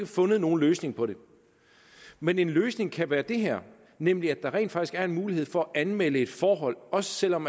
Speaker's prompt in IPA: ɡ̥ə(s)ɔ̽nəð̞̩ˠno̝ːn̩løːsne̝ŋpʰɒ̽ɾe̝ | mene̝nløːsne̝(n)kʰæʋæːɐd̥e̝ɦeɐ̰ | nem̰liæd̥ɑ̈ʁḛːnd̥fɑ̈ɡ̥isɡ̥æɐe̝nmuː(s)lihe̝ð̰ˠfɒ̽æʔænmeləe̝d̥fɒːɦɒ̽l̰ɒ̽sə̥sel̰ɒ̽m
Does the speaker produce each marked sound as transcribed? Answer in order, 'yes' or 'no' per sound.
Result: no, no, no

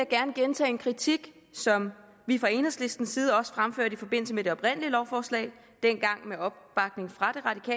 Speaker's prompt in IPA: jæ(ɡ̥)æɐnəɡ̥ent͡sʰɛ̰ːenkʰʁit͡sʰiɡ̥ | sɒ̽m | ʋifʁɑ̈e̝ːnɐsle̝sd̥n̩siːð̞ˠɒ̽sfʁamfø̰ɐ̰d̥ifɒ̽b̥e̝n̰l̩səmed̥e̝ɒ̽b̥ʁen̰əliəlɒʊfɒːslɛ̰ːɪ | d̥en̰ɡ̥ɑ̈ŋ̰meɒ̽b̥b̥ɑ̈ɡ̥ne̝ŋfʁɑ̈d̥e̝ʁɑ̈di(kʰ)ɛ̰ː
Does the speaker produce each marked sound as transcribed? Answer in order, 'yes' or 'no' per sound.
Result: yes, yes

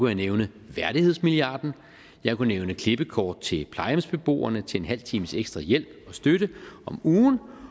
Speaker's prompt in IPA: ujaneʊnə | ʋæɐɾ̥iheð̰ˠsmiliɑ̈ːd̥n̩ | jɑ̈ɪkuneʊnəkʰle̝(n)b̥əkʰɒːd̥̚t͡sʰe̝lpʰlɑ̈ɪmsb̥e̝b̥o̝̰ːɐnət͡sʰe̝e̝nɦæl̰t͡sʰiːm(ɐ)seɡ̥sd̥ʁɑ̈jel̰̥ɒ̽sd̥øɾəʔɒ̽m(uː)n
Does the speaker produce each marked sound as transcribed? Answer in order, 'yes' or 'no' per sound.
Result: no, no, yes

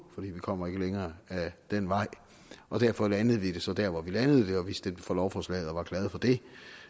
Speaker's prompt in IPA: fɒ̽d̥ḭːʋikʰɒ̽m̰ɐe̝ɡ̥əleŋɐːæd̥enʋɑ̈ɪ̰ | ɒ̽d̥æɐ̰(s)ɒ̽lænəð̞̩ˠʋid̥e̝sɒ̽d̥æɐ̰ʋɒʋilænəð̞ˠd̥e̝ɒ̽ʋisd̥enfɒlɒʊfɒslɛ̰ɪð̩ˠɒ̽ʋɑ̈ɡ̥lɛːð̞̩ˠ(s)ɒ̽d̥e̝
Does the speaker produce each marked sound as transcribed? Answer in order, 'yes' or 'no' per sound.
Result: no, no

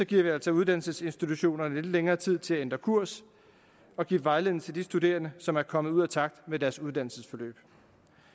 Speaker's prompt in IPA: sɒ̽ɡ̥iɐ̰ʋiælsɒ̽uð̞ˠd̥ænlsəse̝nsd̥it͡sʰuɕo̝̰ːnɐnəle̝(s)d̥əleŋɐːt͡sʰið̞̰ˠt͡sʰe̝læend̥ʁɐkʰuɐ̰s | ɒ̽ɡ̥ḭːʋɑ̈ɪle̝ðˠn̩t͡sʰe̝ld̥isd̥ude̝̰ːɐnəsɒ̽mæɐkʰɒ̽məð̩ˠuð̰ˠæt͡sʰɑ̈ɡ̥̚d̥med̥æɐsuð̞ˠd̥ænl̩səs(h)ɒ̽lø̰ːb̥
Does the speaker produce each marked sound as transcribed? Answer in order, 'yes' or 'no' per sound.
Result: no, no

